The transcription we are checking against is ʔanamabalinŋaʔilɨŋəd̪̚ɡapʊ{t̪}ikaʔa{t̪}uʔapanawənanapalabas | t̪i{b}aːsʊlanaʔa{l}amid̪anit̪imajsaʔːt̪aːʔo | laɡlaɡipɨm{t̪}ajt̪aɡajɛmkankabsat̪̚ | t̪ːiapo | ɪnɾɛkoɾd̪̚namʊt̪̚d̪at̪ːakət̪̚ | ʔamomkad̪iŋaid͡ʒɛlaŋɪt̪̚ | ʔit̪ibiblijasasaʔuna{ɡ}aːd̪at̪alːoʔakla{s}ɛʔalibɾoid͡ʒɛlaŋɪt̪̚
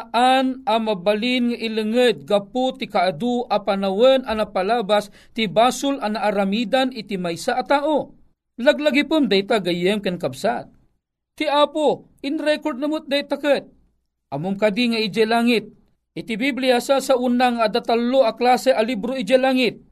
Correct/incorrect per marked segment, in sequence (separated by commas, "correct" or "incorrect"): correct, incorrect, correct, incorrect, incorrect, incorrect, correct